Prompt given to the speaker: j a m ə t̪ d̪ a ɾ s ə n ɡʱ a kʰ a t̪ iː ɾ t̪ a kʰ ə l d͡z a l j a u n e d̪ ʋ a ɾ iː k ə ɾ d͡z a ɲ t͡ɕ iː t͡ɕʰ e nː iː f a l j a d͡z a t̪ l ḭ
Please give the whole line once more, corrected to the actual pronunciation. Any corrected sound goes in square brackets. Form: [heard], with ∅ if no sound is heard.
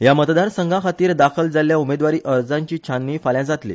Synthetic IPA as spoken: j a m ə t̪ d̪ a ɾ s ə [ŋ] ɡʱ a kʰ a t̪ iː ɾ [d̪] a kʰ ə l d͡z a l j a u [m] e d̪ ʋ a ɾ iː [ʔ] ə ɾ d͡z a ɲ t͡ɕ iː t͡ɕʰ [a] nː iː f a l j a d͡z a t̪ l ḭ